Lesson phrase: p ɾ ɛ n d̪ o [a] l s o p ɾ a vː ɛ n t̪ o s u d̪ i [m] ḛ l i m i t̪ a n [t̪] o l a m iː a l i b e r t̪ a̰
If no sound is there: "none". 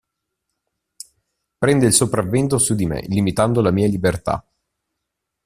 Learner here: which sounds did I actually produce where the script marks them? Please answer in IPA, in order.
i, m, d̪

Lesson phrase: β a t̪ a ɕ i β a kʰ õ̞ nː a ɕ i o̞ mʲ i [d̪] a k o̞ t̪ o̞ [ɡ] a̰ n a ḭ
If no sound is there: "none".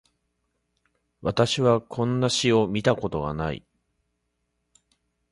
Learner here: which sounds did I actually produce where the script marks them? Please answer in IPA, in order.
t̪, ɡ

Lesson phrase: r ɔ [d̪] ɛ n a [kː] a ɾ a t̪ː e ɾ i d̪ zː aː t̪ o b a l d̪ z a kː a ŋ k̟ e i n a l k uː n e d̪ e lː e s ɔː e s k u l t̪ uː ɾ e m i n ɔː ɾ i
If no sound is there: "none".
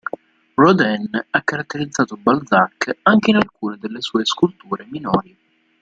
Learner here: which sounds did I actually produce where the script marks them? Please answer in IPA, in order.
d̪, kː

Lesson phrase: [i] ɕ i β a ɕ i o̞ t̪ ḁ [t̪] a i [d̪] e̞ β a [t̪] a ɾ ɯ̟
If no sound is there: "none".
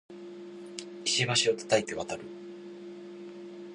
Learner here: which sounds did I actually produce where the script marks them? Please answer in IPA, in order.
i, t̪, t̪, t̪

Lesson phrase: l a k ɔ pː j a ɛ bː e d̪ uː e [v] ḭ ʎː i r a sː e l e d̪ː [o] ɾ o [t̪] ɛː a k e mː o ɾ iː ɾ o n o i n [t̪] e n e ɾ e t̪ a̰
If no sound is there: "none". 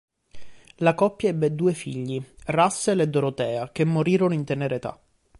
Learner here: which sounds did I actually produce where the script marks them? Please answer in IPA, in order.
f, o, t̪, t̪

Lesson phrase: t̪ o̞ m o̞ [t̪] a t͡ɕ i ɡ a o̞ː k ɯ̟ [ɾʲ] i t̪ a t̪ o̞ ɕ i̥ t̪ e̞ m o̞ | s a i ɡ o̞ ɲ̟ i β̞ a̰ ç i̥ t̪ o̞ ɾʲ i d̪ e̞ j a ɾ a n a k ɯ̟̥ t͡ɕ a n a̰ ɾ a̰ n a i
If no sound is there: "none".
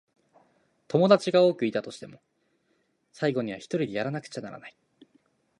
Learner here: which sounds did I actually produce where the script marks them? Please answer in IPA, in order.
d̪, none

